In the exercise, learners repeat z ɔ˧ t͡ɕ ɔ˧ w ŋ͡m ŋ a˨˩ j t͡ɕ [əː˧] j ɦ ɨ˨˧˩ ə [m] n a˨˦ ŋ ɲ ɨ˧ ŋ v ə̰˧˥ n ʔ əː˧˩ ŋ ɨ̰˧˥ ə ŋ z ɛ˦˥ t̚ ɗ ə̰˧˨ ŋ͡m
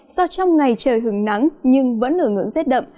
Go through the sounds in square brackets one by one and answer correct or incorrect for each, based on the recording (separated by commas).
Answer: incorrect, incorrect